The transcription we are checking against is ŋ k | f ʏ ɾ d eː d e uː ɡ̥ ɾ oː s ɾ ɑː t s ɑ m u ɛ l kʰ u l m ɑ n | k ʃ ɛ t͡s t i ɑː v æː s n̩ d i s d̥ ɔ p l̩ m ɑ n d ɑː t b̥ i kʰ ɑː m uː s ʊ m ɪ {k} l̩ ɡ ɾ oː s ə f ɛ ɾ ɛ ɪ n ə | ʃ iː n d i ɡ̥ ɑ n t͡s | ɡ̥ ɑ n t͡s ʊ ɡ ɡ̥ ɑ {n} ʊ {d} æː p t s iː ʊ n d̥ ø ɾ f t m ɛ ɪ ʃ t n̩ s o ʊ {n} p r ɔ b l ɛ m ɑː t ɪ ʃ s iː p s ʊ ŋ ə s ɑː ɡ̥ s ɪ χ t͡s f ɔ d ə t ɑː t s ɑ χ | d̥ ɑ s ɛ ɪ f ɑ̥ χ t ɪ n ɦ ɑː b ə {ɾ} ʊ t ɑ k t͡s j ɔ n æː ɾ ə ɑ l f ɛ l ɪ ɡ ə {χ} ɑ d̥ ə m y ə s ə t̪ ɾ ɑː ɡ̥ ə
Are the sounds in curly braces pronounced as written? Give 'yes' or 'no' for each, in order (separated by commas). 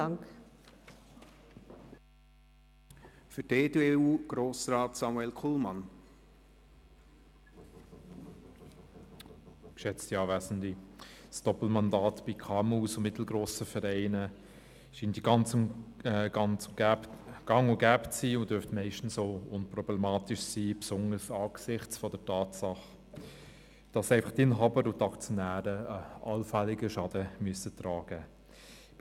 no, no, no, yes, yes, no